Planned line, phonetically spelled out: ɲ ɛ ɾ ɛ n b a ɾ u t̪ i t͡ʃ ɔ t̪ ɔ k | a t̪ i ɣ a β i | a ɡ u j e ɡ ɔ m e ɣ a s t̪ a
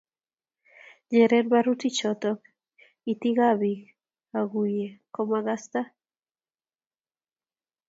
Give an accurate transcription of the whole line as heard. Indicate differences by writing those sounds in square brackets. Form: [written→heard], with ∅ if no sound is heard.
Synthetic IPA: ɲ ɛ ɾ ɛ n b a ɾ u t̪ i t͡ʃ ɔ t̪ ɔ k | [a→i] t̪ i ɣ a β i | a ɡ u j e [ɡ→k] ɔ m [e→a] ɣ a s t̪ a

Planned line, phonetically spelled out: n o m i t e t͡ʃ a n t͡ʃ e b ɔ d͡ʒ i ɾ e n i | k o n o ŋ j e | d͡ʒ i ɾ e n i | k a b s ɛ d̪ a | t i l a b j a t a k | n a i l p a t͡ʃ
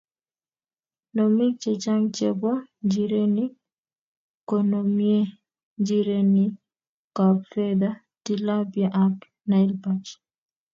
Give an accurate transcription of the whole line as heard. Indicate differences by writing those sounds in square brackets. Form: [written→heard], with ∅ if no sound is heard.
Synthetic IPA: n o m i [t→t͡ʃ] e t͡ʃ a [n→ŋ] t͡ʃ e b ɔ d͡ʒ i ɾ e n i | k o n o [ŋ→m] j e | d͡ʒ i ɾ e n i | k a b [s→f] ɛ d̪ a | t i l a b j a [t→ʔ] a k | n a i l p a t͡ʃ

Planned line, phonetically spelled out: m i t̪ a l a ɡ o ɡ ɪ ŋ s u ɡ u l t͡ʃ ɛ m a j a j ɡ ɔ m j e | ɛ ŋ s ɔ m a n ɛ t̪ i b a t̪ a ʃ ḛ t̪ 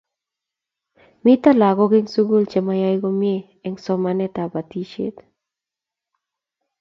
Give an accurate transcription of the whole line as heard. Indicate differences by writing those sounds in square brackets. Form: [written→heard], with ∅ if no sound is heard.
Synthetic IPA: m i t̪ a l a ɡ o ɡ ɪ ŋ s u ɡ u l t͡ʃ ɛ m a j a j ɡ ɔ m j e | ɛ ŋ s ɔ m a n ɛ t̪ [i→a] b a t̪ [a→i] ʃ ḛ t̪

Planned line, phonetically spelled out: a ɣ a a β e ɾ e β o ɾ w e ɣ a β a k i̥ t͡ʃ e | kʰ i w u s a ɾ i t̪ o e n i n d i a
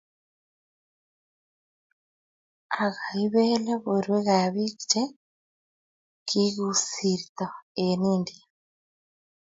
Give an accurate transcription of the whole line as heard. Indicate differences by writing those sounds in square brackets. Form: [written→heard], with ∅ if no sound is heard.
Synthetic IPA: a ɣ a [a→i] β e [ɾ→l] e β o ɾ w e ɣ a β [a→i] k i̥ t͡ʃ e | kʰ i [w→ɣ] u s [a→i] ɾ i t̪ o e n i n d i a

